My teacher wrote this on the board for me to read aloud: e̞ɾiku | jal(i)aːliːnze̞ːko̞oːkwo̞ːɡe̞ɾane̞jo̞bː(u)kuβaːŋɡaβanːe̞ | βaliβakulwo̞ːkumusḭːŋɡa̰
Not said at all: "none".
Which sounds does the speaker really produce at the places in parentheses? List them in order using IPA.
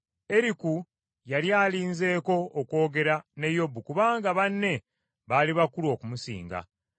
j, u

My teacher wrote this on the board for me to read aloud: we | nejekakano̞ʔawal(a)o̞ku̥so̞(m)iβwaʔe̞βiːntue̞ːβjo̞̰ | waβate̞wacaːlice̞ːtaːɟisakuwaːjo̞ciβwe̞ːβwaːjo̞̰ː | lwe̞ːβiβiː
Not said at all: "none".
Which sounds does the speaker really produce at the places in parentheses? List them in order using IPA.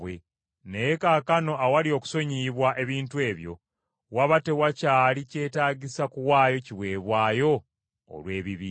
i, ɲ

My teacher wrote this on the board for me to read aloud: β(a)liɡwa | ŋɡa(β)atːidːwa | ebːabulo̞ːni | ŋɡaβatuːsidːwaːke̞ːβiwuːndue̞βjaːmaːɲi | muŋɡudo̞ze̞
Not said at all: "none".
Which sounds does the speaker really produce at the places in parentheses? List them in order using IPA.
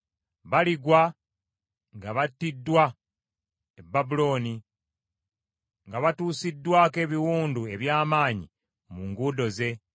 a, β

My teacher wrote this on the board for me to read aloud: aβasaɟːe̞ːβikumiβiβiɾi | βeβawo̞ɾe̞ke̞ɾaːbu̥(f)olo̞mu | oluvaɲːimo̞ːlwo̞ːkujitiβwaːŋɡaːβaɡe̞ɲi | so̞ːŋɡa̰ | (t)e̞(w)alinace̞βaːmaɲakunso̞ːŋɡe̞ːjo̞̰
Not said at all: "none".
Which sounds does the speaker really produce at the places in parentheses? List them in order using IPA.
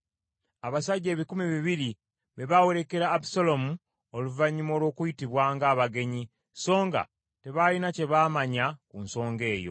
s, t, β

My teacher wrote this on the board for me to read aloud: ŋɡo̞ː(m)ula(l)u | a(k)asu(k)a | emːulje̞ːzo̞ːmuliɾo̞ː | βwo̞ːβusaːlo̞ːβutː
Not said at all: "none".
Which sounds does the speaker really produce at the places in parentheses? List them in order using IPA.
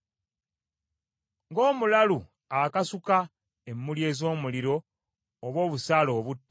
m, l, k, k

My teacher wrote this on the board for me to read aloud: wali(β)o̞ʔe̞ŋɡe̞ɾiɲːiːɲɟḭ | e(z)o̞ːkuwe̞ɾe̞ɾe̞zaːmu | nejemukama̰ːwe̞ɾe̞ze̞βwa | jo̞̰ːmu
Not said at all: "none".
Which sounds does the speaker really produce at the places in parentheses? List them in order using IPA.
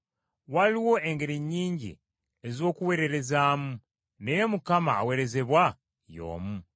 w, z

